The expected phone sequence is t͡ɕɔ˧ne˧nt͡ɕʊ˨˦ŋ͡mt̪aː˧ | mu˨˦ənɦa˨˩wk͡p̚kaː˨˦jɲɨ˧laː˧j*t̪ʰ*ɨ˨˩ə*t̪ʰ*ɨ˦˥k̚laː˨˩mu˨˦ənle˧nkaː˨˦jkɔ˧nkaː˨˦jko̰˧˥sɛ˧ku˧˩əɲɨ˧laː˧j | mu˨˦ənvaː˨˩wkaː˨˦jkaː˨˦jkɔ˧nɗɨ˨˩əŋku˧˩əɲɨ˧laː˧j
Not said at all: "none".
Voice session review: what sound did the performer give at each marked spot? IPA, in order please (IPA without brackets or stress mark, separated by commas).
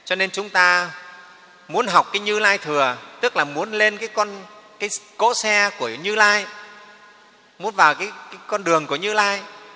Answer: t̪ʰ, t̪